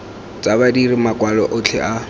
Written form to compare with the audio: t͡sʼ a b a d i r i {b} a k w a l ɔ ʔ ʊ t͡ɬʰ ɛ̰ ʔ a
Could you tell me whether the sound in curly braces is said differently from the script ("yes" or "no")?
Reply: yes